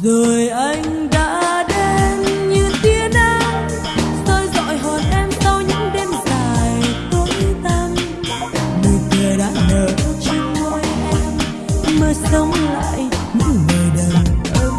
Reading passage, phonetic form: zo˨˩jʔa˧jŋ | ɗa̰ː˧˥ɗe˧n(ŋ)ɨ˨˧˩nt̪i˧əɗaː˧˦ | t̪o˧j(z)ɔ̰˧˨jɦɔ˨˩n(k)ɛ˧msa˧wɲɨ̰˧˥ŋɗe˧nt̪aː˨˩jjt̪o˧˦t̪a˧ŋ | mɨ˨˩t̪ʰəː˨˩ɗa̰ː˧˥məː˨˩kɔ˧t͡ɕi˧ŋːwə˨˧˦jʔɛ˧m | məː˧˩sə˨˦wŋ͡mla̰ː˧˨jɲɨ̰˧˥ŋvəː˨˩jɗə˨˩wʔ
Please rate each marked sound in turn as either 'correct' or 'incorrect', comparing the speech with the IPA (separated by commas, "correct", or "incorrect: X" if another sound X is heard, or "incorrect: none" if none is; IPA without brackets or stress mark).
incorrect: ɲ, correct, incorrect: ʔ